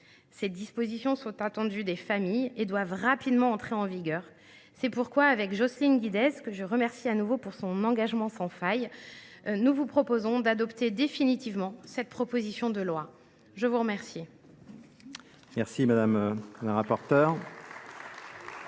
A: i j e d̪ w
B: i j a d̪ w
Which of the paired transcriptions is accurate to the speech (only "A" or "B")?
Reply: A